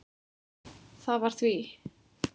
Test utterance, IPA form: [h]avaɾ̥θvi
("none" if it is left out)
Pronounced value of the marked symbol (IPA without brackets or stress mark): θ